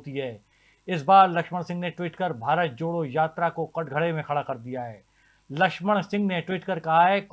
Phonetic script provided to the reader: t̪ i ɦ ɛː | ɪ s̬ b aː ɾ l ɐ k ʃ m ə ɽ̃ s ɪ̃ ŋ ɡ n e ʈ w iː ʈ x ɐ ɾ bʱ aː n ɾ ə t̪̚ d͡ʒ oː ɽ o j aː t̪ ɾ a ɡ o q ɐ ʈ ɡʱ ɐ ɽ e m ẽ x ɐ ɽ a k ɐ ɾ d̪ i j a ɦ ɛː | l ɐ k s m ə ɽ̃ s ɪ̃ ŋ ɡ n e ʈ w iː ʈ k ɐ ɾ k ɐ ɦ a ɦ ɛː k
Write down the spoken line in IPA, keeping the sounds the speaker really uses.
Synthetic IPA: t̪ i ɦ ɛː | ɪ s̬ b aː ɾ l ɐ k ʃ m ə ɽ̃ s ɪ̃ ŋ ɡ n e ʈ w iː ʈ k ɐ ɾ bʱ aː ɾ ə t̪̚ d͡ʒ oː ɽ o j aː t̪ ɾ a k o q ɐ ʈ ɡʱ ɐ ɽ e m ẽ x ɐ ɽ a k ɐ ɾ d̪ i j a ɦ ɛː | l ɐ k ʃ m ə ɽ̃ s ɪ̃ ŋ ɡ n e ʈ w iː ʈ k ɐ ɾ k ɐ ɦ a ɦ ɛː k